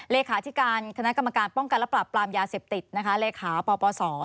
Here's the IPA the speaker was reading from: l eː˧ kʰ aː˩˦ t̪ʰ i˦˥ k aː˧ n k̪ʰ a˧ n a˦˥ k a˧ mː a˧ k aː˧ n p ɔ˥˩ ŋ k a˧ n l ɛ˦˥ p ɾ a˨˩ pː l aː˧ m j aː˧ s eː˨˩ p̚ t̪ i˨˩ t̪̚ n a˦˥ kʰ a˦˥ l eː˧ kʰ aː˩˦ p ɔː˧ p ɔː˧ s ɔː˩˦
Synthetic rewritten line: l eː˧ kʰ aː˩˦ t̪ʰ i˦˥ k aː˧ n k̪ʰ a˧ n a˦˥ k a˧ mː a˧ k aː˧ n p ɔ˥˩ ŋ k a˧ n l ɛ˦˥ p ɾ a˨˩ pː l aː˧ m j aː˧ s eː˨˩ p̚ t̪ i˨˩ t̪̚ n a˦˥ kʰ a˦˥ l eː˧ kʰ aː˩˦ p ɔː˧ p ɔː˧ s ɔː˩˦